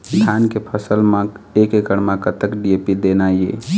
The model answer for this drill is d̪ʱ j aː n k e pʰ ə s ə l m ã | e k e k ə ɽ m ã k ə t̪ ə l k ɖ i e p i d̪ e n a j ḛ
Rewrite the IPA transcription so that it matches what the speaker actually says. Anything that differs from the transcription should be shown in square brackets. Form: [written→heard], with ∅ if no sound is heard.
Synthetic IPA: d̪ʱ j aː n k e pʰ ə s ə l m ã | e k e k ə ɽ m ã k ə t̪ ə [l→∅] k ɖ i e p i d̪ e n a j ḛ